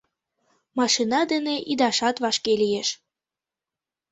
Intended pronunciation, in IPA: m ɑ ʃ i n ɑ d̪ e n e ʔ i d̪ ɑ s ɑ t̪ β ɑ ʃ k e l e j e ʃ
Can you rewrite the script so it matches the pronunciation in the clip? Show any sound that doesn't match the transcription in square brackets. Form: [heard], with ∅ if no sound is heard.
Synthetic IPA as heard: m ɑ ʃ i n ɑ d̪ e n e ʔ i d̪ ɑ [ʃ] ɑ t̪ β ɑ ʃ k e l [i] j e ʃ

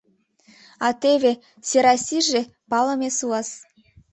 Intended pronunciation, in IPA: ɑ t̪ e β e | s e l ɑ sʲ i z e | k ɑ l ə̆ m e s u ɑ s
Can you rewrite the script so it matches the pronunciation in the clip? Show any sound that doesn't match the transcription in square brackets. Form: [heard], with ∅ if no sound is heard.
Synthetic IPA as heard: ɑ t̪ e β e | s e [ɾ] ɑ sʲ i [ʒ] e | [p] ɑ l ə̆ m e s u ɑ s

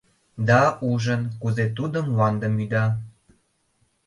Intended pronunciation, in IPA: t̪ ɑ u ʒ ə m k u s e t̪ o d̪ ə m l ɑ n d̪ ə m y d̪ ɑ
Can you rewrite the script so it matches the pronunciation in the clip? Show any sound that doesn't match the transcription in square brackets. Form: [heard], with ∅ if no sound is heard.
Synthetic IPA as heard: [d̪] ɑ u ʒ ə [n] k u [z] e t̪ [u] d̪ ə m l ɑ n d̪ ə m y d̪ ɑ

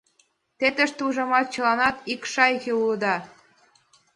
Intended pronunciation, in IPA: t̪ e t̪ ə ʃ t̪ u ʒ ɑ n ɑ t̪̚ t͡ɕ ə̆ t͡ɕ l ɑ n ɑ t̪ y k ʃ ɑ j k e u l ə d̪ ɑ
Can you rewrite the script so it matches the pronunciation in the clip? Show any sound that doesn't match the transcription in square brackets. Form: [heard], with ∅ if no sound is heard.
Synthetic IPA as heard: t̪ e t̪ ə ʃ t̪ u ʒ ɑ [m] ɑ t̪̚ t͡ɕ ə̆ [∅] l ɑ n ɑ t̪ [i] k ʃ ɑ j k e u l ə d̪ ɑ

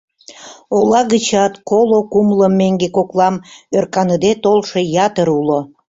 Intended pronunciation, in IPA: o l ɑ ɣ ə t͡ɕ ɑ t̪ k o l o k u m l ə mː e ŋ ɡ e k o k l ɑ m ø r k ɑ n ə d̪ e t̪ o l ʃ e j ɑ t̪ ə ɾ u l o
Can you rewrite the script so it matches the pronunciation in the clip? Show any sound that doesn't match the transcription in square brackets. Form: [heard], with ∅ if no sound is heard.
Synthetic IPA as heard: o l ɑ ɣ ə t͡ɕ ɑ t̪ k o l o k u m l ə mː e ŋ ɡ e k o k l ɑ m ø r k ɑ n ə d̪ e t̪ o l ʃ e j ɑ t̪ ə ɾ u l o

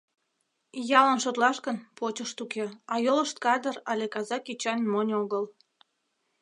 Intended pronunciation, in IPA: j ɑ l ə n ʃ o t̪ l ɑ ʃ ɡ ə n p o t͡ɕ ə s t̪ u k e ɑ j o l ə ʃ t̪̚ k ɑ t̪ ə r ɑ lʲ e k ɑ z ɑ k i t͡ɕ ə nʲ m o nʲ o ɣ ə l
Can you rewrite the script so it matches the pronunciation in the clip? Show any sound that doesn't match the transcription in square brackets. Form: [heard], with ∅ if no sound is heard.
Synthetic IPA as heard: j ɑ l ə n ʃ o t̪ l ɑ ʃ [k] ə n p o t͡ɕ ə [ʃ] t̪ u k e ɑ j o l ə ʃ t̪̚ k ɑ [d̪] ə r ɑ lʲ e k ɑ z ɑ k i t͡ɕ [ɑ] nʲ m o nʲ o ɣ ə l

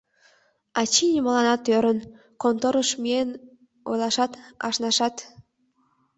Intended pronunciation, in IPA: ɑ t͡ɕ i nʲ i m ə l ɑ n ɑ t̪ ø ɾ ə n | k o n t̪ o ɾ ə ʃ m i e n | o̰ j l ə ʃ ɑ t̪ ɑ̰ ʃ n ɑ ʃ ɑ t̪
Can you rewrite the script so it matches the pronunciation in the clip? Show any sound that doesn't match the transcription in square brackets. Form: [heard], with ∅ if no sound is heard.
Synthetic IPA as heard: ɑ t͡ɕ i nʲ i m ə l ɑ n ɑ t̪ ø ɾ ə n | k o n t̪ o ɾ ə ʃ m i e n | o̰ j l [ɑ] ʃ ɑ t̪ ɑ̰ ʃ n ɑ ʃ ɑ t̪

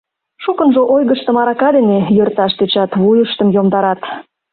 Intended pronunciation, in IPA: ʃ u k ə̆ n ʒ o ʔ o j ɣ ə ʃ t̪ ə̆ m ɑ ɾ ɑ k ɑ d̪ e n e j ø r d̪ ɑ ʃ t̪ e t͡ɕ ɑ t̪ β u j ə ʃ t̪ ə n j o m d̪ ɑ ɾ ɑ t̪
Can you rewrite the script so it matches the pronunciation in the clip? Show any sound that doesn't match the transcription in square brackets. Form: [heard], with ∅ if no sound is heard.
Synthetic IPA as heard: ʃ u k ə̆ n ʒ o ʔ o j ɣ ə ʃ t̪ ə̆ m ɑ ɾ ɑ k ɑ d̪ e n e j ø r [t̪] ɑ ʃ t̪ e t͡ɕ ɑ t̪ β u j ə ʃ t̪ ə [m] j o m d̪ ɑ ɾ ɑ t̪

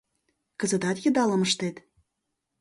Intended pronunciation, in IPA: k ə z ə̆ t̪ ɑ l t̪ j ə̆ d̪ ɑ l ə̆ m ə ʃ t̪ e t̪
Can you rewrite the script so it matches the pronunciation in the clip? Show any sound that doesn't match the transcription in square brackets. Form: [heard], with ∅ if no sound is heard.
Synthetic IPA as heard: k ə z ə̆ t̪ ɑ [∅] t̪ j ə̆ d̪ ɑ l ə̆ m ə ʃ t̪ e t̪

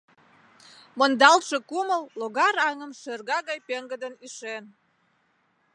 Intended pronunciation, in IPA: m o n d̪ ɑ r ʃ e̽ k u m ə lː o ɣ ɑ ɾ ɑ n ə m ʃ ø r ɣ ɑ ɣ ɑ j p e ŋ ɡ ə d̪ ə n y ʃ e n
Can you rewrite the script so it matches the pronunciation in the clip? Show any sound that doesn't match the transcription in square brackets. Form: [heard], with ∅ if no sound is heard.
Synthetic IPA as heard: m o n d̪ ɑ [l] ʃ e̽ k u m ə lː o ɣ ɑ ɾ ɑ [ŋ] ə m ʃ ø r ɣ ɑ ɣ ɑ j p e ŋ ɡ ə d̪ ə n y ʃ e n

